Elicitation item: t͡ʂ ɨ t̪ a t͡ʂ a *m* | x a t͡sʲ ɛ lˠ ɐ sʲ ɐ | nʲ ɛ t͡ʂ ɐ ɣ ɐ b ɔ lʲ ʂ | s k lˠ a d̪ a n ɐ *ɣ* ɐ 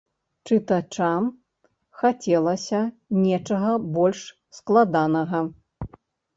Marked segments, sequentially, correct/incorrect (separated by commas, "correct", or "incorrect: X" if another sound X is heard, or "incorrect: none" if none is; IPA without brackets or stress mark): correct, correct